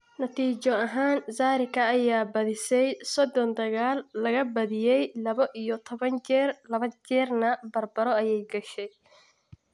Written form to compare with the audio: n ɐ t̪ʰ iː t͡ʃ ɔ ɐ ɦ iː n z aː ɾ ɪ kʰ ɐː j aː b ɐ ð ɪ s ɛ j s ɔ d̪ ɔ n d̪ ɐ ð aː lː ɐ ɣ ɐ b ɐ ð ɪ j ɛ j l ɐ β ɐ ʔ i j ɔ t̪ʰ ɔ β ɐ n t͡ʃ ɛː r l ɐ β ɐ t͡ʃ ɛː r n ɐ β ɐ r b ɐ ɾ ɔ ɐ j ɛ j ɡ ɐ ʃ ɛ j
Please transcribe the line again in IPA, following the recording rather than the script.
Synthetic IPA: n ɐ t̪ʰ iː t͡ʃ ɔ ɐ ɦ aː n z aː ɾ ɪ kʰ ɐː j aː b ɐ ð ɪ s ɛ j s ɔ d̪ ɔ n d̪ ɐ ɣ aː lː ɐ ɣ ɐ b ɐ ð ɪ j ɛ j l ɐ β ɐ ʔ i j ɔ t̪ʰ ɔ β ɐ n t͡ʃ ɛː r l ɐ β ɐ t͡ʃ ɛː r n ɐ b ɐ r b ɐ ɾ ɔ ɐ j ɛ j ɡ ɐ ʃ ɛ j